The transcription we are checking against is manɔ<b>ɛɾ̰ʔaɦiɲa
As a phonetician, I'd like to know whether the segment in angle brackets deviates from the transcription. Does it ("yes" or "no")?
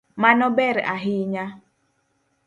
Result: no